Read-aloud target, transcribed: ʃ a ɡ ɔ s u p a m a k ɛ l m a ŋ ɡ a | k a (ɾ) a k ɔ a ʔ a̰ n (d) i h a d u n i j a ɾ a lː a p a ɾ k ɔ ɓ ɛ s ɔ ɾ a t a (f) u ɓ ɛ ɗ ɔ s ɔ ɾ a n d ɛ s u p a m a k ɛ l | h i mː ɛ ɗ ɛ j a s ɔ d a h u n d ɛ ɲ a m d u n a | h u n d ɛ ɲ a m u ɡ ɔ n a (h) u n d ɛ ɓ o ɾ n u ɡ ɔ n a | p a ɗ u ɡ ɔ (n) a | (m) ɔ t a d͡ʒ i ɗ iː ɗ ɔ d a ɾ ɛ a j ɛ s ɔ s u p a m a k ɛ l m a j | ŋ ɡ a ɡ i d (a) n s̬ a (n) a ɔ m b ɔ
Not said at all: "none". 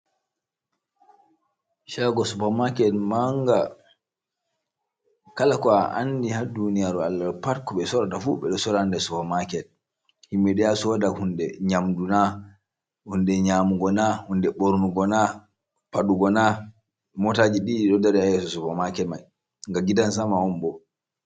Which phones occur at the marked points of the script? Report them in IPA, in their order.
l, d, f, h, n, m, a, m

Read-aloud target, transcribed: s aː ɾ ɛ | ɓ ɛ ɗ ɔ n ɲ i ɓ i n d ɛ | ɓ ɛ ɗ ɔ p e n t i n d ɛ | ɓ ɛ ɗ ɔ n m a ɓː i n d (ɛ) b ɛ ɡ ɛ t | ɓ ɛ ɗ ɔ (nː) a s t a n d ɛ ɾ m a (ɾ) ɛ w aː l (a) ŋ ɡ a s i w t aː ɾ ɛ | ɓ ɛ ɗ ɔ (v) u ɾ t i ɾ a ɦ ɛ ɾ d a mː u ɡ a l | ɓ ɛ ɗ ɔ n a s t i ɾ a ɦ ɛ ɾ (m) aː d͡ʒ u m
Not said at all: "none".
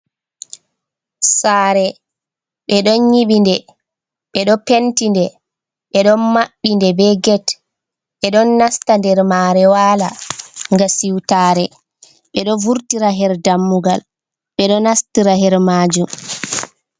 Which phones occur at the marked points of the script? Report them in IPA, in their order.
ɛ, nː, ɾ, a, v, m

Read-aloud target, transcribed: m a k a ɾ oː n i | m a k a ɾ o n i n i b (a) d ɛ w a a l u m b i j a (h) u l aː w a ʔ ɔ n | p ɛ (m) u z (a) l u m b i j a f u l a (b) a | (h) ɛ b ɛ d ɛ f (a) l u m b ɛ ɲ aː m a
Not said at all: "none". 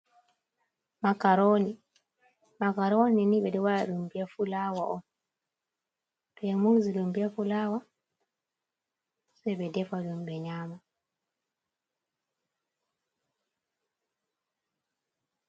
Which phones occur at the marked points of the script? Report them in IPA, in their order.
ɛ, f, m, i, w, s, a

